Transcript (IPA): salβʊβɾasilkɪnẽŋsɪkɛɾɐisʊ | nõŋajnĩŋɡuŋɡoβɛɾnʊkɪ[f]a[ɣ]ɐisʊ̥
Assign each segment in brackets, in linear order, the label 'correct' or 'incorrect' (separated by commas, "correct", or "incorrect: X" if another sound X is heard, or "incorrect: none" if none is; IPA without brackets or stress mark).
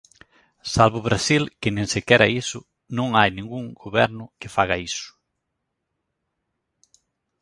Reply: correct, correct